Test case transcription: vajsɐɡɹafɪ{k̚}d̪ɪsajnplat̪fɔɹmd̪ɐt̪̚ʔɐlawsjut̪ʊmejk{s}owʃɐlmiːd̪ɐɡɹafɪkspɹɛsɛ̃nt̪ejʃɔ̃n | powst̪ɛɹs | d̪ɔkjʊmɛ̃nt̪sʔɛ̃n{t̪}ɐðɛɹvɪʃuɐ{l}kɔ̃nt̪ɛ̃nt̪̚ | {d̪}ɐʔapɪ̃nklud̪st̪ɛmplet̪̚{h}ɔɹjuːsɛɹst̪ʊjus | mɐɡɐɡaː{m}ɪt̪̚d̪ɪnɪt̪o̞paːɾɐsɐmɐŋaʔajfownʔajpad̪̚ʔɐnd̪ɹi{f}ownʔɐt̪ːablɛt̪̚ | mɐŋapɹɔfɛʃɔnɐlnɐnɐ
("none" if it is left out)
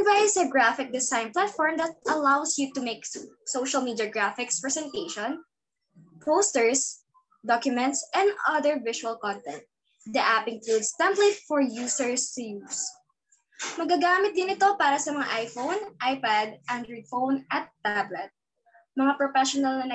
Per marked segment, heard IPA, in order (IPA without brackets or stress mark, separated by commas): k̚, s, d̪, l, d̪, f, m, f